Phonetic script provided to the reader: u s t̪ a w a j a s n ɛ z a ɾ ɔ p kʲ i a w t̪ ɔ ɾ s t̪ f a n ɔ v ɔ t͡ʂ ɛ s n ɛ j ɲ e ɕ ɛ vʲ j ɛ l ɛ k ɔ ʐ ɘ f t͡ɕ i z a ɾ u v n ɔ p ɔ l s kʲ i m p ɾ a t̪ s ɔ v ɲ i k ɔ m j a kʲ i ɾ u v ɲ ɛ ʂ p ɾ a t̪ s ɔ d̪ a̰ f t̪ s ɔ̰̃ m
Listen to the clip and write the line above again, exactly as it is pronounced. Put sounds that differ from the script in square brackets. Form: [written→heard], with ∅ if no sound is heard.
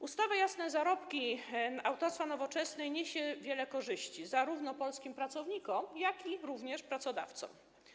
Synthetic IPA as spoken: u s t̪ a [w→v] a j a s n ɛ z a ɾ ɔ p kʲ i a w t̪ ɔ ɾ s t̪ f a n ɔ v ɔ t͡ʂ ɛ s n ɛ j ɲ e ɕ ɛ vʲ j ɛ l ɛ k ɔ ʐ ɘ [f→ɕ] t͡ɕ i z a ɾ u v n ɔ p ɔ l s kʲ i m p ɾ a t̪ s ɔ v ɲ i k ɔ m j a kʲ i ɾ u v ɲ ɛ ʂ p ɾ a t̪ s ɔ d̪ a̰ f t̪ s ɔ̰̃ m